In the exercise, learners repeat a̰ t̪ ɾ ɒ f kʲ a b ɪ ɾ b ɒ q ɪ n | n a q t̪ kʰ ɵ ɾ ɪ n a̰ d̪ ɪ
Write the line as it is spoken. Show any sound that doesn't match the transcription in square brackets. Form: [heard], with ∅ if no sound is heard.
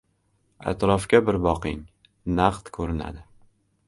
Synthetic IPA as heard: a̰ t̪ ɾ ɒ f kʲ a b ɪ ɾ b ɒ q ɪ [ŋ] | n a q t̪ kʰ ɵ ɾ ɪ n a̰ d̪ ɪ

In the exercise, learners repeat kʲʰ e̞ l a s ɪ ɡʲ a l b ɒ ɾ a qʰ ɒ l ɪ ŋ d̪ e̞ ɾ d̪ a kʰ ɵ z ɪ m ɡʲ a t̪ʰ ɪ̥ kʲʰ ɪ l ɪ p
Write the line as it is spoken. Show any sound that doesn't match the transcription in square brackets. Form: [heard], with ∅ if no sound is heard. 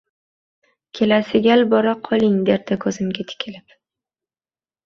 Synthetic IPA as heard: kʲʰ e̞ l a s ɪ ɡʲ a l b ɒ ɾ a qʰ ɒ l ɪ ŋ d̪ e̞ ɾ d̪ a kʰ ɵ z ɪ m ɡʲ a t̪ʰ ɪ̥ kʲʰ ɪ l ɪ p

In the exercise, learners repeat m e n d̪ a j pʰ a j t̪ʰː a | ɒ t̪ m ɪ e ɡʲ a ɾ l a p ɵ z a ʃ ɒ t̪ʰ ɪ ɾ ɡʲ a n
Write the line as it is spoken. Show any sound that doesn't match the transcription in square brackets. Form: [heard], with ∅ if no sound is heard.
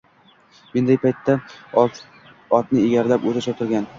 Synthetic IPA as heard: m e n d̪ a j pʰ a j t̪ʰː a | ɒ t̪ [n] ɪ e ɡʲ a ɾ l a p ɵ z a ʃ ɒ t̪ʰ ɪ ɾ ɡʲ a n

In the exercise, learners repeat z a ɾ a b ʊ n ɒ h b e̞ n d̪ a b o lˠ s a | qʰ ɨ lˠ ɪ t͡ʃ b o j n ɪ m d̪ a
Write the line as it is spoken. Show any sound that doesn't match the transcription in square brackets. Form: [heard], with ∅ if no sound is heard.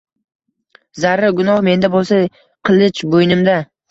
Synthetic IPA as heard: z a ɾ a [ɡ] ʊ n ɒ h [m] e̞ n d̪ a b o lˠ s a | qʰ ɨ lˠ ɪ t͡ʃ b o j n ɪ m d̪ a

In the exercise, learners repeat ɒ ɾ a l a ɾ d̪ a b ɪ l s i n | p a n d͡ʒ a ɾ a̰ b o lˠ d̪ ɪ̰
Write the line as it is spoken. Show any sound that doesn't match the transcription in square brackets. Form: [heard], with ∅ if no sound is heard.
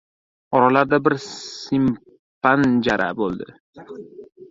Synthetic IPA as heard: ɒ ɾ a l a ɾ d̪ a b ɪ [ɾ] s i [m] | p a n d͡ʒ a ɾ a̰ b o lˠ d̪ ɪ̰

